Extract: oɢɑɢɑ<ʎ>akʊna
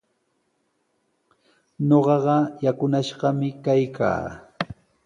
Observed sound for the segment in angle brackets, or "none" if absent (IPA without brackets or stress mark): j